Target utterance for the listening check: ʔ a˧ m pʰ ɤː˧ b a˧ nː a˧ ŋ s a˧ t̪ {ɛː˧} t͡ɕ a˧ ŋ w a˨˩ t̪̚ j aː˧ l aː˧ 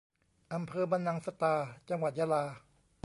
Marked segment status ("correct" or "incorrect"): incorrect